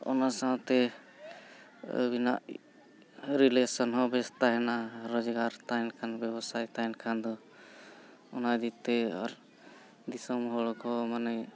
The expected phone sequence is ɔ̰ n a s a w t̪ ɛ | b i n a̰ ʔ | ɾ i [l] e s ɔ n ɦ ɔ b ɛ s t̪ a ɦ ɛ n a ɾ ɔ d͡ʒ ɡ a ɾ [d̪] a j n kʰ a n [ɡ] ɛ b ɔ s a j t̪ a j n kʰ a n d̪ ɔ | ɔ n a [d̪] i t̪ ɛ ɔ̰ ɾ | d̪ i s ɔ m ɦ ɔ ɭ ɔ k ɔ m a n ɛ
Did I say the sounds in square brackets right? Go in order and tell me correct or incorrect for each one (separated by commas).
correct, incorrect, incorrect, correct